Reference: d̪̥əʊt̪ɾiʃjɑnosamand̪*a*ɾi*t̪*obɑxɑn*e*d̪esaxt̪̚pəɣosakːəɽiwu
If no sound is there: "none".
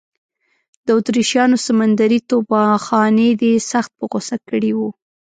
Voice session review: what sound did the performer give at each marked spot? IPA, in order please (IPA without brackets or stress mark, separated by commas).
a, t̪, e